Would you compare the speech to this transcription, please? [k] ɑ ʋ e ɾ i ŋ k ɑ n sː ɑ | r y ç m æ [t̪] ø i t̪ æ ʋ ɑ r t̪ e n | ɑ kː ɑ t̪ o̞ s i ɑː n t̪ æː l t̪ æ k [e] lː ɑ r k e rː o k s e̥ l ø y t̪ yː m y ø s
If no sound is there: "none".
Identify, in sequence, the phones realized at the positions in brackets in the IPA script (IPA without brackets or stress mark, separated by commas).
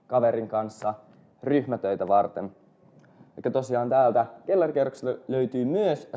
k, t̪, e